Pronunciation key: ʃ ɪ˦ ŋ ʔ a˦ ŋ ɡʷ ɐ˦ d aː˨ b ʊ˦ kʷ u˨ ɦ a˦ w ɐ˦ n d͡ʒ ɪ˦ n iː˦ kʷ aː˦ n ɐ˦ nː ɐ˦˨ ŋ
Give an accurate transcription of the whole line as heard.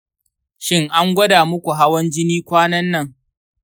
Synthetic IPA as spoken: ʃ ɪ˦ ŋ ʔ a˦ ŋ ɡʷ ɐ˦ d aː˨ m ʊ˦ kʷ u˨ ɦ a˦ w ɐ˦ n d͡ʒ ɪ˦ n iː˦ kʷ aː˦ n ɐ˦ nː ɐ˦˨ ŋ